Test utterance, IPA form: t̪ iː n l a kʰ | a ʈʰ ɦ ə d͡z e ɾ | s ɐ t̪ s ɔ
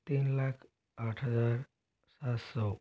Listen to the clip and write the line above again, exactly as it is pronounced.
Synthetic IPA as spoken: t̪ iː n l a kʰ | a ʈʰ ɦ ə d͡z a ɾ | s a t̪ s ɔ